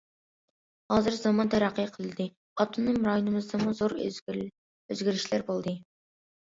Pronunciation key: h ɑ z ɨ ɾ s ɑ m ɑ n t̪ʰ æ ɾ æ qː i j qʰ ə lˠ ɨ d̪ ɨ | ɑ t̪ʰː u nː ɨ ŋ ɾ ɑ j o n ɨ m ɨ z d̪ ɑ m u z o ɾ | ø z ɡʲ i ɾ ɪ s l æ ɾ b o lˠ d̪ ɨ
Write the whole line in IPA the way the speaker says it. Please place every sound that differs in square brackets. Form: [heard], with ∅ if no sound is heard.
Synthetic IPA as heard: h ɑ z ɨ ɾ [z] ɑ m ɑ n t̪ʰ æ ɾ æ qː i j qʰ ə lˠ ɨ d̪ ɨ | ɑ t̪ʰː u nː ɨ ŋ ɾ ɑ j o n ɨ m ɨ z d̪ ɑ m u z o ɾ | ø z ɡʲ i ɾ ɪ [ʃ] l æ ɾ b o lˠ d̪ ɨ